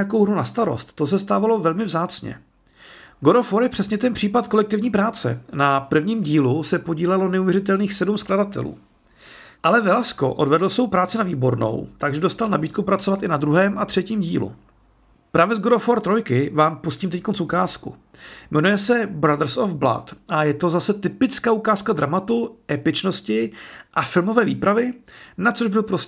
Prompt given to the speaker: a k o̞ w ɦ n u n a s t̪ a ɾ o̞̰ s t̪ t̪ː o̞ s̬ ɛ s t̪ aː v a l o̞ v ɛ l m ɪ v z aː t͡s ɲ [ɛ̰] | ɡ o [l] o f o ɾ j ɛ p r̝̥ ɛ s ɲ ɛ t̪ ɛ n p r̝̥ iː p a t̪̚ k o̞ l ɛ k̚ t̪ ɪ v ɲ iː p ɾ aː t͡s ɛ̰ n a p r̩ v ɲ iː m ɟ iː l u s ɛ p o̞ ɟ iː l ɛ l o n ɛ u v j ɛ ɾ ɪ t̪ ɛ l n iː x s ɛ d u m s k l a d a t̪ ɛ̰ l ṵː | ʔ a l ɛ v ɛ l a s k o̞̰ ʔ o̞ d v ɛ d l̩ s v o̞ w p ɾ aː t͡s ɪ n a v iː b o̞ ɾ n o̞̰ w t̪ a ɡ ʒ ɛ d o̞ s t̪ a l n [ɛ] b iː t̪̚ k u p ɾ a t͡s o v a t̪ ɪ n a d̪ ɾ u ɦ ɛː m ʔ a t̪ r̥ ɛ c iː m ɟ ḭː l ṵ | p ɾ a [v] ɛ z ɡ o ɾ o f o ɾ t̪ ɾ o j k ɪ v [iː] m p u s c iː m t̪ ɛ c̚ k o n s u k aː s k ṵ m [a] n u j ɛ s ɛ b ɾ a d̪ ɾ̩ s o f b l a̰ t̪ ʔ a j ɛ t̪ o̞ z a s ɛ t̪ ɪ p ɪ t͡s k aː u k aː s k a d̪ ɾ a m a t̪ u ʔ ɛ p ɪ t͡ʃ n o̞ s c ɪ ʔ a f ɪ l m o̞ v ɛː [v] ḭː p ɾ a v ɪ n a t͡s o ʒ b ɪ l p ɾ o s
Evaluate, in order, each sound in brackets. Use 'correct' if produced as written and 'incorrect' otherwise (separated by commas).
correct, incorrect, incorrect, correct, incorrect, incorrect, correct